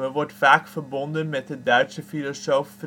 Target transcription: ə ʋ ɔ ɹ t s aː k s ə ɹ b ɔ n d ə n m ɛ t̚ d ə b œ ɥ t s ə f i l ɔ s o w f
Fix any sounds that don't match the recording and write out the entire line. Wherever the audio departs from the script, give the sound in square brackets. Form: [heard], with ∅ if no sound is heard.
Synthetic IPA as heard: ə ʋ ɔ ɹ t [f] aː k [f] ə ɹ b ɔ n d ə n m ɛ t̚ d ə [d] œ ɥ t s ə f i l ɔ s o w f